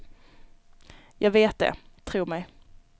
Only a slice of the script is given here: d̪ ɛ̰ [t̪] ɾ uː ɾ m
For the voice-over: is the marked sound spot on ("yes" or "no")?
no